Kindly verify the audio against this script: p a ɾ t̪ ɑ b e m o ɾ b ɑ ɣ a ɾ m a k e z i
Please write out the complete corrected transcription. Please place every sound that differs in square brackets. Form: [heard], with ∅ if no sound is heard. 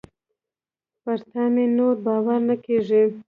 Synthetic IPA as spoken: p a ɾ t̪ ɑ [m] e [n] o ɾ b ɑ [w] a ɾ [n] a k e [ʐ] i